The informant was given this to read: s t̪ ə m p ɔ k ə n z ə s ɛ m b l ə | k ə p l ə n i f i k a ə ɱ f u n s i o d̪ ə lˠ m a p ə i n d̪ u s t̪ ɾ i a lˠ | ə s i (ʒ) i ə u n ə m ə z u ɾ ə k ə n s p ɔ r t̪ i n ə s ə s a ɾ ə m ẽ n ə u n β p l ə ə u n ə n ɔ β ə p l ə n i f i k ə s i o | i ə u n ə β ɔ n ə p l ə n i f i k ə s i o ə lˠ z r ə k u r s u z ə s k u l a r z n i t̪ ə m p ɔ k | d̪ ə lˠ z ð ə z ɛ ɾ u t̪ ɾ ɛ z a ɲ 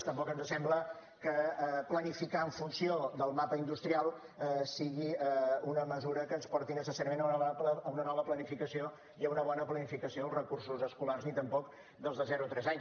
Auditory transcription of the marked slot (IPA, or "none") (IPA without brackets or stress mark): ɣ